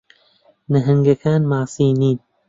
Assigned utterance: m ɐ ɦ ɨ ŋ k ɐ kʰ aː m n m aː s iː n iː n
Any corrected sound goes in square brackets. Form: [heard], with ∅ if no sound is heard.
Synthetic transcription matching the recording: [n] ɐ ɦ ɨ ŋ [ɡ] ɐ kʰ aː [∅] n m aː s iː n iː n